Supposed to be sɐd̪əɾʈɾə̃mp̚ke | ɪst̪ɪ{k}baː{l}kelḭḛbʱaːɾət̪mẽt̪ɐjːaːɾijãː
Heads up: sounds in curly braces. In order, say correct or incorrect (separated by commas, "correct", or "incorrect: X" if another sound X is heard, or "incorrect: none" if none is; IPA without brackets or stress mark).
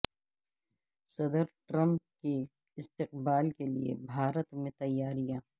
incorrect: q, correct